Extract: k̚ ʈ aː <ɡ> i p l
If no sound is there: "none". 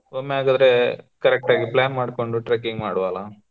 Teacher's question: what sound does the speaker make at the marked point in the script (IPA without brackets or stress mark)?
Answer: ɡ